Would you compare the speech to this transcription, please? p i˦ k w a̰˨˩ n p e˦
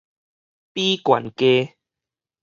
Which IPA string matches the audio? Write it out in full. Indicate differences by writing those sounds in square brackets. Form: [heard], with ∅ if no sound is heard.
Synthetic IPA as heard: p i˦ k w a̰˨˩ n [k] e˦

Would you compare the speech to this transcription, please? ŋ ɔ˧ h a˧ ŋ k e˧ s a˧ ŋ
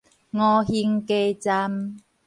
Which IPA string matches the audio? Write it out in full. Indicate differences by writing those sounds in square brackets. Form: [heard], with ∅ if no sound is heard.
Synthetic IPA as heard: ŋ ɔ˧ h [i˧] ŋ k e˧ [t͡s] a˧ [m]

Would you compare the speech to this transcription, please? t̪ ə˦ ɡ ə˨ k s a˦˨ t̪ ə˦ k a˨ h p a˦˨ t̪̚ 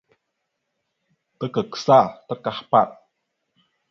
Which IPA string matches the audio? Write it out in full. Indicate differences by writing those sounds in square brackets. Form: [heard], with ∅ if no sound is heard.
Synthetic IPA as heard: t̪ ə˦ [k] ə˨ k s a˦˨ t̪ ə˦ k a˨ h p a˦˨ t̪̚

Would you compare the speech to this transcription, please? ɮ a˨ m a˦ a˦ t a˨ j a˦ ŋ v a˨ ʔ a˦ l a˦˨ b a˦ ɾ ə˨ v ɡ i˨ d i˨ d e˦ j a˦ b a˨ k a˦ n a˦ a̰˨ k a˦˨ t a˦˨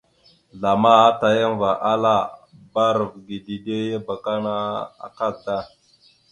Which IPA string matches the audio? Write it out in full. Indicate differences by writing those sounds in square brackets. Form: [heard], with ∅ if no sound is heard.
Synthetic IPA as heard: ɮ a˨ m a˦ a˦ t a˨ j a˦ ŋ v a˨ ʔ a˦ l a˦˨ b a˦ ɾ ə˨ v ɡ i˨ d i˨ d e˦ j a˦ b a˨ k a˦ n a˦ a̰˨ k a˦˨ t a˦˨

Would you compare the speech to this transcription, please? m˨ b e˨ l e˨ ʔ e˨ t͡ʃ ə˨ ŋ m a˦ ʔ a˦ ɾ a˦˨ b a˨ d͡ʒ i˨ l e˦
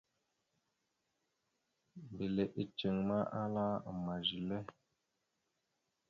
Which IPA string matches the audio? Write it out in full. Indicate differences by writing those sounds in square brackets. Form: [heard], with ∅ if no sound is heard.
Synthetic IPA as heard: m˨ b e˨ l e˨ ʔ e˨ t͡ʃ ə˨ ŋ m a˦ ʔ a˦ [l] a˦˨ [m] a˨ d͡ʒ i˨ l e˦

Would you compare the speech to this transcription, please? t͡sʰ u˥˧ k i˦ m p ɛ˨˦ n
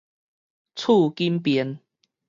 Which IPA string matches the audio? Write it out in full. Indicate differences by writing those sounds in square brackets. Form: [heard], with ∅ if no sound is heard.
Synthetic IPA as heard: t͡sʰ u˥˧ k i˦ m p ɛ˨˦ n

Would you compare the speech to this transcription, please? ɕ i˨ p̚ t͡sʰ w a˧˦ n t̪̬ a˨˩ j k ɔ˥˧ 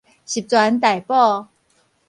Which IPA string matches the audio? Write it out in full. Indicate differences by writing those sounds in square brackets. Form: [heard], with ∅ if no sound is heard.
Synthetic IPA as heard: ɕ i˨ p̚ [t͡s] w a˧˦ n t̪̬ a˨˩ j [p] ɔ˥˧

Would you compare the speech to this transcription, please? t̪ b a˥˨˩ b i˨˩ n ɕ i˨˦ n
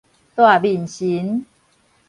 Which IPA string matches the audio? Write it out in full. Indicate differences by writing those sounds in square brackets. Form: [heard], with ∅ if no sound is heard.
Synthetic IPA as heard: t̪ [w] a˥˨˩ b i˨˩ n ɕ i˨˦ n

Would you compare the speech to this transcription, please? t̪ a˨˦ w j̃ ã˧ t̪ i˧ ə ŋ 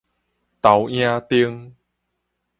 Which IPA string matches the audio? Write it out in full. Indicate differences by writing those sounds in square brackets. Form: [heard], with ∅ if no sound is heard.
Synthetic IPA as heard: t̪ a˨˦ w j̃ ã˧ t̪ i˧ ə ŋ

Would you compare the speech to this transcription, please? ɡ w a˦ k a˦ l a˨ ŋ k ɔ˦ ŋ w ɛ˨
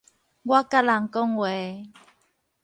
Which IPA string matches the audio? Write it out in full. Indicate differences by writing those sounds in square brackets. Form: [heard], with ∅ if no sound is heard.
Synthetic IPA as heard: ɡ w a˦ k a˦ l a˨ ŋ k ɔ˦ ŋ w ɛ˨

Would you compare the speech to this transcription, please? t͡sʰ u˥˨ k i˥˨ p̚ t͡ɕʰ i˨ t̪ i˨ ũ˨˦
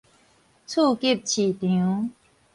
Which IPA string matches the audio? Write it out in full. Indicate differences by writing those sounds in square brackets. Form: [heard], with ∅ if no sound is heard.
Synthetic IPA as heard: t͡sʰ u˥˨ k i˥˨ p̚ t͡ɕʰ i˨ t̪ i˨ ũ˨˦

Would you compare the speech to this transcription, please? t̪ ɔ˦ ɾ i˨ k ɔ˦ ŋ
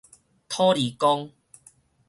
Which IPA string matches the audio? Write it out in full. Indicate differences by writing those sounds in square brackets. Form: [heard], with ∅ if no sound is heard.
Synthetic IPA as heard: [t̪ʰ] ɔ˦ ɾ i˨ k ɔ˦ ŋ

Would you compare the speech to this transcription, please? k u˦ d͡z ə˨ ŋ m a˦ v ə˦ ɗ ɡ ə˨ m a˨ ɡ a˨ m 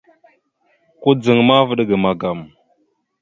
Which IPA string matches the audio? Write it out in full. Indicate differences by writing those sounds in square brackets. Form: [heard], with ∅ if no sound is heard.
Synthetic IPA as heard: k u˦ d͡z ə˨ ŋ m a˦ v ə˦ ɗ ɡ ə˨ m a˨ ɡ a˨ m

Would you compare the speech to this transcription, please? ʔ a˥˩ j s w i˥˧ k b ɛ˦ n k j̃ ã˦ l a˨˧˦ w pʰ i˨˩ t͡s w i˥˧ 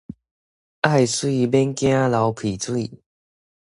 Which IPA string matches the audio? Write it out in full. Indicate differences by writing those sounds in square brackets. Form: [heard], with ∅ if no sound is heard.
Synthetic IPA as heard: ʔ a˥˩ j s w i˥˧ [∅] b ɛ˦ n k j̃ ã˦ l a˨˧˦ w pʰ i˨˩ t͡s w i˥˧

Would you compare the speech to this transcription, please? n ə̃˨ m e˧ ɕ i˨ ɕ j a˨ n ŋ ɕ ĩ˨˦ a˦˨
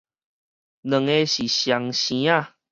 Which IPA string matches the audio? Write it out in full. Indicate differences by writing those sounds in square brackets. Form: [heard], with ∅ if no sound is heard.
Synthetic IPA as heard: n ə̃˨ [ŋ] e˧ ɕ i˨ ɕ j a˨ [∅] ŋ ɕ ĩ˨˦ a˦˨

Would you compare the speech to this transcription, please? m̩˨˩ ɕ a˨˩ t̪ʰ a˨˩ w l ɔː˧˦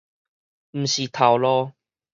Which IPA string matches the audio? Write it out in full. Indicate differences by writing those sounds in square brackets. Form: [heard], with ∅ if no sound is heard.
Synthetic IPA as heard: m̩˨˩ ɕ [i˨˩] t̪ʰ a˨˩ w l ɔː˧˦

